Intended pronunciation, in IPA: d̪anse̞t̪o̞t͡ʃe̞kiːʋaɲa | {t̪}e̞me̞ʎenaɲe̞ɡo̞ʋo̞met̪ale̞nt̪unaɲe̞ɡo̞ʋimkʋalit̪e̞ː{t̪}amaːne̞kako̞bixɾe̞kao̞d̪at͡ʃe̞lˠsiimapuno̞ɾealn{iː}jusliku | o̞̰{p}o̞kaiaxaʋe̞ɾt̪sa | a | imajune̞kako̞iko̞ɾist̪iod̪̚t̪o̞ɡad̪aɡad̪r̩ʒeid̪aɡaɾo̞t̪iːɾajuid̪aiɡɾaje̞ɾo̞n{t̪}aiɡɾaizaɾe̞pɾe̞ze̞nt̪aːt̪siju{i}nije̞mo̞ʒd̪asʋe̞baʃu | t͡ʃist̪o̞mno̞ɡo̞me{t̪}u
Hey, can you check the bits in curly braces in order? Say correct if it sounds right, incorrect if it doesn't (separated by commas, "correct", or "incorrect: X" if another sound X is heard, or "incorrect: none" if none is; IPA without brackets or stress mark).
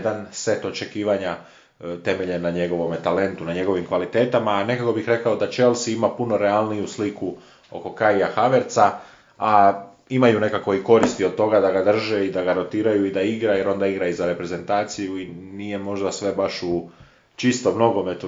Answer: correct, correct, incorrect: i, incorrect: k, incorrect: d̪, correct, correct